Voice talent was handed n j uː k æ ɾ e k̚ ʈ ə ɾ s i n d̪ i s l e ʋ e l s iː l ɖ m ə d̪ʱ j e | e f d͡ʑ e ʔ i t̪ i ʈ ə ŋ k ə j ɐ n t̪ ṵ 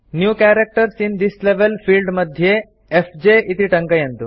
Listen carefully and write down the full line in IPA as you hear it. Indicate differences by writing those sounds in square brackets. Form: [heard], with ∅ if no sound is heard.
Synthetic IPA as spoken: n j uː k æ ɾ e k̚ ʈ ə ɾ s i n d̪ i s l e ʋ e l [f] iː l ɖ m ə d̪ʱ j e | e f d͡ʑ e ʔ i t̪ i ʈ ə ŋ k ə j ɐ n t̪ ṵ

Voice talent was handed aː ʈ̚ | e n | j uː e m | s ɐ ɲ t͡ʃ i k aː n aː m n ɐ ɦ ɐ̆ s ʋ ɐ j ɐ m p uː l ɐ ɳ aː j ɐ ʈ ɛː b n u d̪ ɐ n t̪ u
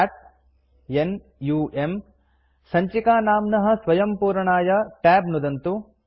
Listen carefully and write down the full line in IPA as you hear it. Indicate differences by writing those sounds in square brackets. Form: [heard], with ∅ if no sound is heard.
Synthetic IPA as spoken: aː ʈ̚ | e n | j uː e m | s ɐ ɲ t͡ʃ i k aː n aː m n ɐ ɦ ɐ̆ s ʋ ɐ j ɐ m p uː [ɾ] ɐ ɳ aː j ɐ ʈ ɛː b n u d̪ ɐ n t̪ u

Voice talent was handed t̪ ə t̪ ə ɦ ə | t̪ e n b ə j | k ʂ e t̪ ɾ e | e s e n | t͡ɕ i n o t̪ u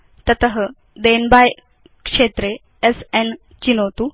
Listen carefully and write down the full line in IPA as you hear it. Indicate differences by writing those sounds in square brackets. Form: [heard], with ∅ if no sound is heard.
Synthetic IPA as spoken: t̪ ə t̪ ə ɦ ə | [d̪] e n b [a] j | k ʂ e t̪ ɾ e | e s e n | t͡ɕ i n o t̪ u

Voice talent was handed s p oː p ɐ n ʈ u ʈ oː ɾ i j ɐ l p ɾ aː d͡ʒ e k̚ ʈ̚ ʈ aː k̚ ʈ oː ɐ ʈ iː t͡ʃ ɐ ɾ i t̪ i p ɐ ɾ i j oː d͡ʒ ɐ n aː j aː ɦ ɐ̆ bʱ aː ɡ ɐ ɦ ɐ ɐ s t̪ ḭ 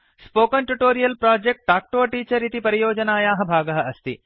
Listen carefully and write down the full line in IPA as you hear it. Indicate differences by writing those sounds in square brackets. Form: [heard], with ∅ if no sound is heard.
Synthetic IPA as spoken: s p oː [k] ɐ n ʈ u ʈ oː ɾ i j ɐ l p ɾ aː d͡ʒ e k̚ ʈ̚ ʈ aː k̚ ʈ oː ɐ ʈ iː t͡ʃ ɐ ɾ i t̪ i p ɐ ɾ i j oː d͡ʒ ɐ n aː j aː ɦ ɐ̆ bʱ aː ɡ ɐ ɦ ɐ ɐ s t̪ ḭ

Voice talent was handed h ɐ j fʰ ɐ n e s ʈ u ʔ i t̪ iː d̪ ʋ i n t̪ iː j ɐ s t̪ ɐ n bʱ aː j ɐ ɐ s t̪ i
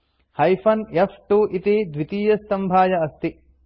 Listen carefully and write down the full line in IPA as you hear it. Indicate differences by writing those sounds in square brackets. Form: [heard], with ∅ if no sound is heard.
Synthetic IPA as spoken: h ɐ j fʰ ɐ n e [f] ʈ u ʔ i t̪ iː d̪ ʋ i [∅] t̪ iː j ɐ s t̪ ɐ [m] bʱ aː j ɐ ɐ s t̪ i

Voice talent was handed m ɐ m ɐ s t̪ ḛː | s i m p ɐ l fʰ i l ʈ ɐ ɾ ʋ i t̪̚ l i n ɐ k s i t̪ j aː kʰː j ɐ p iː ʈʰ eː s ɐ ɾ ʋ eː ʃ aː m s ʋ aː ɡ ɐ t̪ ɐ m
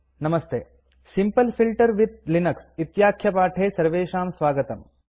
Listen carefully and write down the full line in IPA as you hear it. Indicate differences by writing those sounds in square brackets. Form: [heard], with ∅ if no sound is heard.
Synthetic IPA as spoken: [n] ɐ m ɐ s t̪ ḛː | s i m p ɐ l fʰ i l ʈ ɐ ɾ ʋ i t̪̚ l i n ɐ k s i t̪ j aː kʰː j ɐ p [aː] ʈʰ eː s ɐ ɾ ʋ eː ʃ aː m s ʋ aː ɡ ɐ t̪ ɐ m

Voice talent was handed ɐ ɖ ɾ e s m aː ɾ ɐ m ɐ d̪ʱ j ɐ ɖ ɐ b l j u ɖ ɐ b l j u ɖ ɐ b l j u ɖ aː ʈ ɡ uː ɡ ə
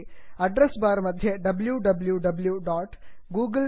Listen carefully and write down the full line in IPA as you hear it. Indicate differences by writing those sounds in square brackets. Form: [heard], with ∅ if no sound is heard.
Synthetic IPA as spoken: ɐ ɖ ɾ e s [b] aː ɾ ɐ m ɐ d̪ʱ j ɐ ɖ ɐ b l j u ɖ ɐ b l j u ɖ ɐ b l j u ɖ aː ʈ ɡ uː ɡ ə

